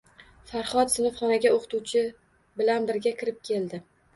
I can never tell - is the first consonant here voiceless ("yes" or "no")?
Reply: yes